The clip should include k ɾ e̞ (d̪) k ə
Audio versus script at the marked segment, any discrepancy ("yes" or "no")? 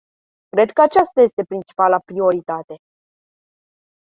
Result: no